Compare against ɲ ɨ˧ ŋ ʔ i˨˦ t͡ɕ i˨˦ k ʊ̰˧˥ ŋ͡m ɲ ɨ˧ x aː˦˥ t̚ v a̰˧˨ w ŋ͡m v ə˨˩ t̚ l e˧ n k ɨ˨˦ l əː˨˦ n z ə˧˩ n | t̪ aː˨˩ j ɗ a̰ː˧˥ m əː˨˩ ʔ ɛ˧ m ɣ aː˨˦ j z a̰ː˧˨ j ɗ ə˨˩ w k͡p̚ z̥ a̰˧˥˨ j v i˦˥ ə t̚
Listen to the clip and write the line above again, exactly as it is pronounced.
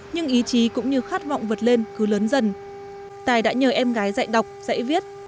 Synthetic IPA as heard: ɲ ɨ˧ ŋ ʔ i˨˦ t͡ɕ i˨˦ k ʊ̰˧˥ ŋ͡m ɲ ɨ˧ x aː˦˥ t̚ v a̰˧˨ w ŋ͡m v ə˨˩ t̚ l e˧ n k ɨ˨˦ l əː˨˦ n z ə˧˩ n | t̪ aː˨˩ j ɗ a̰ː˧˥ ɲ əː˨˩ ʔ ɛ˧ m ɣ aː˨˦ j z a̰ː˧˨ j ɗ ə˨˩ w k͡p̚ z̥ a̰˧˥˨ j v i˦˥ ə t̚